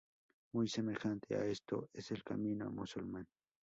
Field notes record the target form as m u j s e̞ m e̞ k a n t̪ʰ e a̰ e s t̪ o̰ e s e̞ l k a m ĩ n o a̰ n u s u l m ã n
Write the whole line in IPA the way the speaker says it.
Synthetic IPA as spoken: m u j s e̞ m e̞ x a n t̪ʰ e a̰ e s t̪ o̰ e s e̞ l k a m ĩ n o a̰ m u s u l m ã n

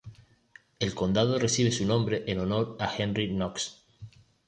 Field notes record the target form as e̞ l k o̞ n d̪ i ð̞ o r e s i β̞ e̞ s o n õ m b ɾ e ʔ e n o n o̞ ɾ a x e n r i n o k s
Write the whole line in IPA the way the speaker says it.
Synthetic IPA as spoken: e̞ l k o̞ n d̪ a ð̞ o r e s i β̞ e̞ s u n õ m b ɾ e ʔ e n o n o̞ ɾ a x e n r i n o k s

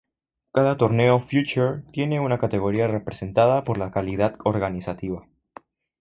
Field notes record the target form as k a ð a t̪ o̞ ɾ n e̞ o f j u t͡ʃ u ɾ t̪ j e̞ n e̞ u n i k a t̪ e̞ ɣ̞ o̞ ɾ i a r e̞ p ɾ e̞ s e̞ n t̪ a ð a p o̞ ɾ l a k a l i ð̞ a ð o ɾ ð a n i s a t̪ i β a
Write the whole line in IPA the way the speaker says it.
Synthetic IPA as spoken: k a ð a t̪ o̞ ɾ n e̞ o f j u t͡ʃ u ɾ t̪ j e̞ n e̞ u n a k a t̪ e̞ ɣ̞ o̞ ɾ i a r e̞ p ɾ e̞ s e̞ n t̪ a ð a p o̞ ɾ l a k a l i ð̞ a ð o ɾ ɣ a n i s a t̪ i β a

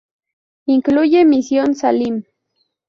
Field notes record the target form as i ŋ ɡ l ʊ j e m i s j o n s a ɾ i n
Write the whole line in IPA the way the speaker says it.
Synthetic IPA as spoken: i ŋ k l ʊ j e m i s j o n s a l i m

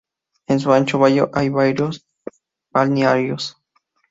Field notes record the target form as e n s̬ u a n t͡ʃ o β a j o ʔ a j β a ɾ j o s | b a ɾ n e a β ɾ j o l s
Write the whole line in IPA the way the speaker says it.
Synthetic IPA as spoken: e n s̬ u a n t͡ʃ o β a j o ʔ a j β a ɾ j o s | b a l n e a ɾ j o s

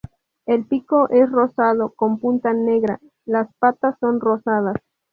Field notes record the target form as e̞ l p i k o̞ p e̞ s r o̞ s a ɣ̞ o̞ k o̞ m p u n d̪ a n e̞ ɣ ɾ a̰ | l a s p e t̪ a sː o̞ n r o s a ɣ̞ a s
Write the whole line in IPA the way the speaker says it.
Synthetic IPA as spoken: e̞ l p i k o̞ ʔ e̞ s r o̞ s a ð̞ o̞ k o̞ m p u n t̪ a n e̞ ɣ ɾ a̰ | l a s p a t̪ a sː o̞ n r o s a ð̞ a s

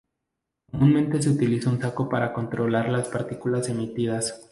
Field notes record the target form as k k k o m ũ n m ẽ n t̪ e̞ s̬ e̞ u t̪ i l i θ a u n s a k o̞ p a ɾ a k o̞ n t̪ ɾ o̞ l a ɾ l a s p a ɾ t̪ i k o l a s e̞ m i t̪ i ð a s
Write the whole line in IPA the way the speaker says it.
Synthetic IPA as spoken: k k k o m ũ n m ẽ n t̪ e̞ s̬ e̞ u t̪ i l i s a u n s a k o̞ p a ɾ a k o̞ n t̪ ɾ o̞ l a ɾ l a s p a ɾ t̪ i k u l a s e̞ m i t̪ i ð a s

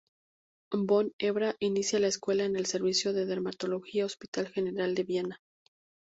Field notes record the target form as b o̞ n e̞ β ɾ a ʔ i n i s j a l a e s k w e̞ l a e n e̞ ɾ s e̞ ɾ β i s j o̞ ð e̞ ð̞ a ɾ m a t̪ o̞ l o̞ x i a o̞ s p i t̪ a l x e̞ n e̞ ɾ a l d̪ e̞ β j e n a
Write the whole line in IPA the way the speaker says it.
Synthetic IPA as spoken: b o̞ n e̞ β ɾ a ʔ i n i s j a l a e s k w e̞ l a e n e̞ l s e̞ ɾ β i s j o̞ ð e̞ ð̞ e ɾ m a t̪ o̞ l o̞ x i a o̞ s p i t̪ a l x e̞ n e̞ ɾ a l d̪ e̞ β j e n a

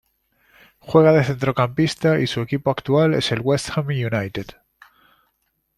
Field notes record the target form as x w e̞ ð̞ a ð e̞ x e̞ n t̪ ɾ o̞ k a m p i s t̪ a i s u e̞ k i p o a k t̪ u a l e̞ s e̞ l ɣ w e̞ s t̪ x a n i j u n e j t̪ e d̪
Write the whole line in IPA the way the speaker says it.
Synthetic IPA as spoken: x w e̞ ɣ̞ a ð e̞ θ e̞ n t̪ ɾ o̞ k a m p i s t̪ a i s u e̞ k i p o a k t̪ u a l e̞ s e̞ l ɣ w e̞ s t̪ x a m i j u n a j t̪ e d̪

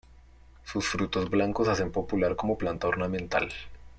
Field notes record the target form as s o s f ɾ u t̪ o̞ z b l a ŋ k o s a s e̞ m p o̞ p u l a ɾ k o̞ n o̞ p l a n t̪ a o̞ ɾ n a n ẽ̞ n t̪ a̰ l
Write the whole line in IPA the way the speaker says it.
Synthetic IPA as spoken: s u s f ɾ u t̪ o̞ z b l a ŋ k o s a s e̞ m p o̞ p u l a ɾ k o̞ m o̞ p l a n t̪ a o̞ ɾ n a m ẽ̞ n t̪ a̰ l

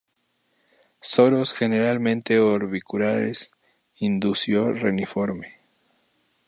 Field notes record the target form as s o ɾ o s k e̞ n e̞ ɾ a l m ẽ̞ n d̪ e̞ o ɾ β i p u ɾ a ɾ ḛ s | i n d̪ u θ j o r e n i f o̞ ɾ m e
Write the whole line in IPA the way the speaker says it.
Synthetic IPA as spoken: s o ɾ o s x e̞ n e̞ ɾ a l m ẽ̞ n t̪ e̞ o ɾ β i k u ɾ a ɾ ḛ s | i n d̪ u s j o r e n i f o̞ ɾ m e

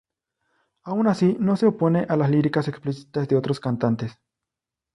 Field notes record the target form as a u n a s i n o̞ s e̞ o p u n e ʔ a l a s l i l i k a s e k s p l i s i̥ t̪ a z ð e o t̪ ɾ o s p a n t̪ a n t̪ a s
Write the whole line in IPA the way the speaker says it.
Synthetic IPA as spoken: a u n a s i n o̞ s e̞ o p o n e ʔ a l a s l i ɾ i k a s e k s p l i s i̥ t̪ a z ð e o t̪ ɾ o s k a n t̪ a n t̪ e s

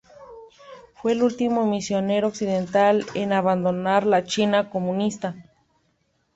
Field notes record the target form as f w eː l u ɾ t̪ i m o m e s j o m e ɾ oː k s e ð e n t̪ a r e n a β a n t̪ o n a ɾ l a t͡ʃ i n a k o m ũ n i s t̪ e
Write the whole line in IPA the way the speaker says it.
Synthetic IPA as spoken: f w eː l u l t̪ i m o m i s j o n e ɾ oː k s i ð e n t̪ a l e n a β a n d̪ o n a ɾ l a t͡ʃ i n a k o m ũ n i s t̪ a

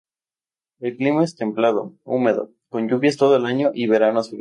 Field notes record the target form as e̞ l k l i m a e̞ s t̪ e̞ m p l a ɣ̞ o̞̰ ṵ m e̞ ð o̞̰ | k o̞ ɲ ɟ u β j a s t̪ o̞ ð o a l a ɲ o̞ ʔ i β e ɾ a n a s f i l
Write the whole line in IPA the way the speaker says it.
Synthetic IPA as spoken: e̞ l k l i m a e̞ s t̪ e̞ m p l a ð̞ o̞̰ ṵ m e̞ ð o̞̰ | k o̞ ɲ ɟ u β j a s t̪ o̞ ð o e l a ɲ o̞ ʔ i β e ɾ a n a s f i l

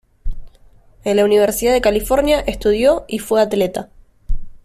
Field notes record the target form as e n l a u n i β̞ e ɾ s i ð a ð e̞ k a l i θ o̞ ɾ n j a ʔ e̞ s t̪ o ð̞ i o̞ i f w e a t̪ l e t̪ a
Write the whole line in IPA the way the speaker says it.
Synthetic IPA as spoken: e n l a u n i β̞ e ɾ s i ð a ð e̞ k a l i f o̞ ɾ n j a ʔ e̞ s t̪ u ð̞ j o̞ i f w e a t̪ l e t̪ a

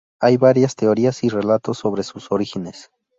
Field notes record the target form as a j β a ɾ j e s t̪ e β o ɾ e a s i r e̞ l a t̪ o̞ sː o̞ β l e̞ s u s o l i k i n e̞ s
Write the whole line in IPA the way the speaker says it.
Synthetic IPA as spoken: a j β a ɾ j a s t̪ e o ɾ i a s i r e̞ l a t̪ o̞ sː o̞ β ɾ e̞ s u s o ɾ i x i n e̞ s

